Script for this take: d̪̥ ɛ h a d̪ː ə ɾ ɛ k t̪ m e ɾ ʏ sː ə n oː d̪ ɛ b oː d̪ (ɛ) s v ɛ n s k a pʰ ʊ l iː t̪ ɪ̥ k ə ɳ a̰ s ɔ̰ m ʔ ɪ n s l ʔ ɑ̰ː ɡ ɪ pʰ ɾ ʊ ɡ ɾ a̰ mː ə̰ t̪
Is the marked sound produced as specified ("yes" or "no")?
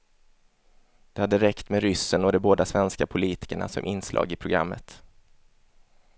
no